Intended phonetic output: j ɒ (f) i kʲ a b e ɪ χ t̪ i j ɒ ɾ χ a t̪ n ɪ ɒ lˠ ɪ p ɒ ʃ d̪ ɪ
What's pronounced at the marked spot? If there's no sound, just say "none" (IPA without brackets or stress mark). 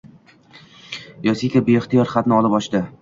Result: s